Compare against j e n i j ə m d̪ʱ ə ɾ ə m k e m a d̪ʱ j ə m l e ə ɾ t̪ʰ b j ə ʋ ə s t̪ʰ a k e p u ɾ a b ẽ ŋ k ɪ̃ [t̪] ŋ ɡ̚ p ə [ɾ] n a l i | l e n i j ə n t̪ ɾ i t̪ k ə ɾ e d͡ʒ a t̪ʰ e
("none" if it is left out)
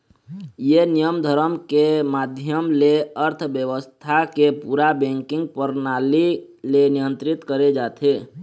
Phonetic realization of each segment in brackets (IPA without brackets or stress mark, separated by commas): none, ɾ